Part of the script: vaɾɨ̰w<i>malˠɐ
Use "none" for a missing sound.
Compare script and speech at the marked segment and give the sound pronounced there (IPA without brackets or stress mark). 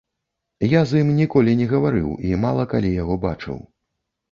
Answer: i